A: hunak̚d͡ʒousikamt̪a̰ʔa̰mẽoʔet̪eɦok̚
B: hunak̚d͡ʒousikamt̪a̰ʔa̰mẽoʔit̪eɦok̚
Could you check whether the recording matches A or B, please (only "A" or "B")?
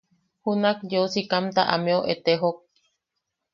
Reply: A